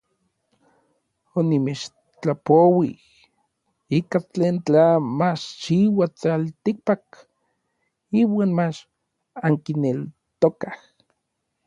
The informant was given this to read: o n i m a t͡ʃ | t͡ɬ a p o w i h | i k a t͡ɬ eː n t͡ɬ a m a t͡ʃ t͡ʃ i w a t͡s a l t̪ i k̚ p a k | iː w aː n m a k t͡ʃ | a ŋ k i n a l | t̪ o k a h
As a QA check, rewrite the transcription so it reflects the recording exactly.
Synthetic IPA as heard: o n i m e t͡ʃ | t͡ɬ a p o w i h | i k a t͡ɬ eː n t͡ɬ a m a t͡ʃ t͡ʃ i w a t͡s a l t̪ i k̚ p a k | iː w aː n m a t͡ʃ | a ŋ k i n e l | t̪ o k a h